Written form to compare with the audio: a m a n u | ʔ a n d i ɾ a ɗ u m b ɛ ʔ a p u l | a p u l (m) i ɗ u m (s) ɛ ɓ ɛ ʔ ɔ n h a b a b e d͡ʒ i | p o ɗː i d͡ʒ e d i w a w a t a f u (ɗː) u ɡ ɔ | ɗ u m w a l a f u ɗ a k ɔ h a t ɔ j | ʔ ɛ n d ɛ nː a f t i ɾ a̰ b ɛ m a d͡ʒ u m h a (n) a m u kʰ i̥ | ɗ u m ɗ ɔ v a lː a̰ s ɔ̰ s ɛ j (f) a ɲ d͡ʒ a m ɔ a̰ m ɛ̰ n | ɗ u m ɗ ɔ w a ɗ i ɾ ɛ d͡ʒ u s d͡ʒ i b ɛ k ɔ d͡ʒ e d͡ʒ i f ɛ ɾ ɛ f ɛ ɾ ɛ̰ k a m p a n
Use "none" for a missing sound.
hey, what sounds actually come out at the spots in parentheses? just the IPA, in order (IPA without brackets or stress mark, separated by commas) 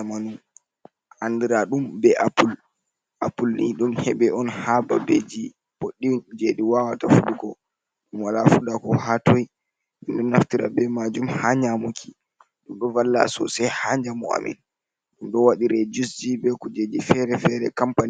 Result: n, h, ɗ, ɲ, h